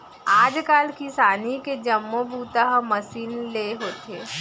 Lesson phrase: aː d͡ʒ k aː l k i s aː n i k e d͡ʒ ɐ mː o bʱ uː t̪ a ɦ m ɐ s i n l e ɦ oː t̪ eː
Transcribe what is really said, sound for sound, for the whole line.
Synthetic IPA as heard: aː d͡ʒ k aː l k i s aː n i k e d͡ʒ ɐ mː o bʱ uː t̪ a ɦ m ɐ s iː n l e ɦ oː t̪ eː